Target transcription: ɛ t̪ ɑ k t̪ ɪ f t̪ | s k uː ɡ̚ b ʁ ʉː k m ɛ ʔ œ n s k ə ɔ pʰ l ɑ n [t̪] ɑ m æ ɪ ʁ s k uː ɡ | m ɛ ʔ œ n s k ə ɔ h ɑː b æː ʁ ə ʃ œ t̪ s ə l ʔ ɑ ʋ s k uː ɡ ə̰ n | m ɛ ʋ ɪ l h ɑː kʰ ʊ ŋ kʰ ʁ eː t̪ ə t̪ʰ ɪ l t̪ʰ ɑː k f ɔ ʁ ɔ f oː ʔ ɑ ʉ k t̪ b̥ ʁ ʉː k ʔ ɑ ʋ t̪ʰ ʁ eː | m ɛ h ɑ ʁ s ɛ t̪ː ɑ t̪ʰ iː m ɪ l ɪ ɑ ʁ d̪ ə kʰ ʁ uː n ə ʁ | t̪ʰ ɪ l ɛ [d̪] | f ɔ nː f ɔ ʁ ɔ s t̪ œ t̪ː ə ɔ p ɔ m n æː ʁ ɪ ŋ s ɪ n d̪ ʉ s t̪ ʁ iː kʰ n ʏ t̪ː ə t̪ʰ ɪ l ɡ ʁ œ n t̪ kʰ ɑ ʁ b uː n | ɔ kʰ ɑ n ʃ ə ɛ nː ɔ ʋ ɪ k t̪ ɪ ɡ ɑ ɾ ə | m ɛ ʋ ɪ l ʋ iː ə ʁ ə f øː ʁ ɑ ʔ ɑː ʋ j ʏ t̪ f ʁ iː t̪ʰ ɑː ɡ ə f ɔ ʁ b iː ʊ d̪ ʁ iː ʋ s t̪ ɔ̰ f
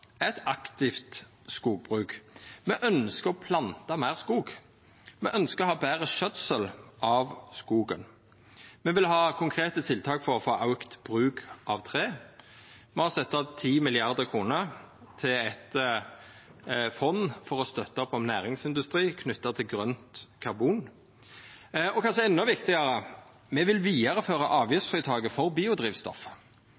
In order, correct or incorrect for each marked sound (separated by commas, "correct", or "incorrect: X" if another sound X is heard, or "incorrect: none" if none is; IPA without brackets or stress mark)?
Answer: correct, incorrect: t̪